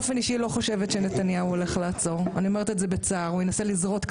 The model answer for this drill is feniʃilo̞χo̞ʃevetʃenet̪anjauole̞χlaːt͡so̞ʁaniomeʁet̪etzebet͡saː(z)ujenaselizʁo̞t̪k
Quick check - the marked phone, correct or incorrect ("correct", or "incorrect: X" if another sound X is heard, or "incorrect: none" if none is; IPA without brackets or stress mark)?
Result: incorrect: ʁ